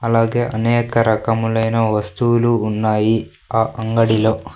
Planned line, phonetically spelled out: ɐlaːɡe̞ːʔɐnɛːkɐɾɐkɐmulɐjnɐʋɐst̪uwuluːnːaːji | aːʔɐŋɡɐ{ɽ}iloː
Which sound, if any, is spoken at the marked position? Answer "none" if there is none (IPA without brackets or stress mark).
ɽ